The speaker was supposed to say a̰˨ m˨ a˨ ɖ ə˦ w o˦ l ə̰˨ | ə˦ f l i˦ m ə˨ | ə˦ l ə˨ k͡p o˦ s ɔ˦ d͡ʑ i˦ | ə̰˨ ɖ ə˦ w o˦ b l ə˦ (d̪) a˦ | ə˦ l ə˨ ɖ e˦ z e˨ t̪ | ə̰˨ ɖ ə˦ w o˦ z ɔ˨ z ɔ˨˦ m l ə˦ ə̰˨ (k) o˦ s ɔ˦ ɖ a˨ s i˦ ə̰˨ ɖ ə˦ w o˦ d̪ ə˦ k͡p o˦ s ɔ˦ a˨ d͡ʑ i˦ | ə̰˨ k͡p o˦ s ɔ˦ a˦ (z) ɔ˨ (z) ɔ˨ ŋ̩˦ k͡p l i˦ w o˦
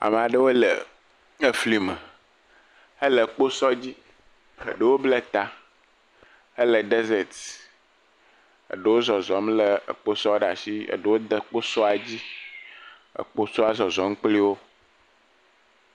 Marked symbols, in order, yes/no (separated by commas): no, no, yes, yes